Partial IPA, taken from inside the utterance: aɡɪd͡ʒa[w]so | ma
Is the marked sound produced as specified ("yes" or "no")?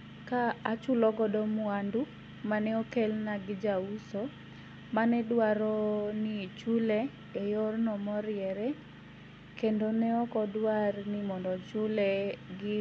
no